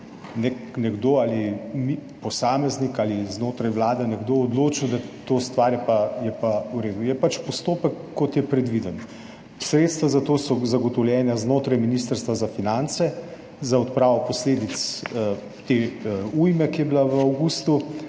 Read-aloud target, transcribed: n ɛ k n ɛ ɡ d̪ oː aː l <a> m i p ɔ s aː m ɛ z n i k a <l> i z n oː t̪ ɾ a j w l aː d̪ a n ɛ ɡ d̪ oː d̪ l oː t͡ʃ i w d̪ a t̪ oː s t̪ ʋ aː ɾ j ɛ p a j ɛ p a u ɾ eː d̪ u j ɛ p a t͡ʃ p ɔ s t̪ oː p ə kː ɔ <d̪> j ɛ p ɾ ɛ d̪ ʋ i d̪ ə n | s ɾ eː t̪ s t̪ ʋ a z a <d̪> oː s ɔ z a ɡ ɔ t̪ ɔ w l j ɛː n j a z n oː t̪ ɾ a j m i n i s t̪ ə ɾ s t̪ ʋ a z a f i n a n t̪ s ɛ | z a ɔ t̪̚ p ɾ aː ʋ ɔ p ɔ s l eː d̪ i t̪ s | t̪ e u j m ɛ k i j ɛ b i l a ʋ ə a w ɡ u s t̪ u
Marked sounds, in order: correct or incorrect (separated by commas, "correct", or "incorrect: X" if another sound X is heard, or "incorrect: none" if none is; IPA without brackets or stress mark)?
incorrect: i, correct, incorrect: t̪, incorrect: t̪